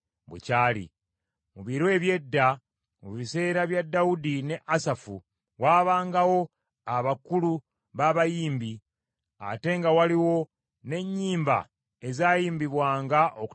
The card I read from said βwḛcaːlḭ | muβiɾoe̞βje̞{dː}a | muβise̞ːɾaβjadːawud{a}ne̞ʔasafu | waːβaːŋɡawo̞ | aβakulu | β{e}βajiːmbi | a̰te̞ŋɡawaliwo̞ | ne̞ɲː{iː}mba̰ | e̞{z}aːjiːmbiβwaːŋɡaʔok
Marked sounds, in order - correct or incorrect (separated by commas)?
correct, incorrect, incorrect, correct, correct